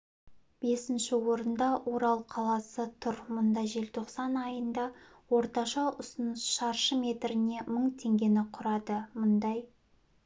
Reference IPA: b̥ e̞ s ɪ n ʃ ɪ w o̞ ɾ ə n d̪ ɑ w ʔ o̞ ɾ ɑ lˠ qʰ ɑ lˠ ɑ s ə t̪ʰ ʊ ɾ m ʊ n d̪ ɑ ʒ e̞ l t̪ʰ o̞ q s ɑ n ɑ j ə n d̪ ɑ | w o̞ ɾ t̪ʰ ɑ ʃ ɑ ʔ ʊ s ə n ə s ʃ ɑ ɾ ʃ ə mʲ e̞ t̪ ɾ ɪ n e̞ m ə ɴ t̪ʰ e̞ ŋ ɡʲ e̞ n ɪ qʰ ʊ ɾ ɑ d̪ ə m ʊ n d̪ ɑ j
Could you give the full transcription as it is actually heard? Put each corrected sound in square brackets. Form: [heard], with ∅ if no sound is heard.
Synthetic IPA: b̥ e̞ s ɪ n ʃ ɪ w o̞ ɾ ə n d̪ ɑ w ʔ o̞ ɾ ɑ lˠ qʰ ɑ lˠ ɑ s ə t̪ʰ ʊ ɾ m ʊ n d̪ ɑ ʒ e̞ l t̪ʰ o̞ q s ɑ n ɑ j ə n d̪ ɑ | w o̞ ɾ [t̪] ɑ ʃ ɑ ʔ ʊ s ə n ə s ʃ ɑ ɾ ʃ ə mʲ e̞ t̪ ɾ ɪ n e̞ m ə ɴ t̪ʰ e̞ ŋ ɡʲ e̞ n ɪ qʰ ʊ ɾ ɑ d̪ ə m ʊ n d̪ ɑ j